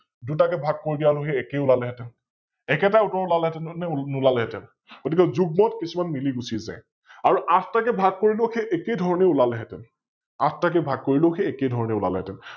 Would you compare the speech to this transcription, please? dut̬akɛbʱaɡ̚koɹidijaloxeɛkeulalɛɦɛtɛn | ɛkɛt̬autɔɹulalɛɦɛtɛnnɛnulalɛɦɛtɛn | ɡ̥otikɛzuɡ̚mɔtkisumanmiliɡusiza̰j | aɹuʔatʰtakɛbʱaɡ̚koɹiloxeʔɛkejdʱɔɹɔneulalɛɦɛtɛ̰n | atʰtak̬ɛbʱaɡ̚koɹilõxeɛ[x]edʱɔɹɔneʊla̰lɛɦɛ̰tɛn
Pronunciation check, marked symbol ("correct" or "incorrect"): incorrect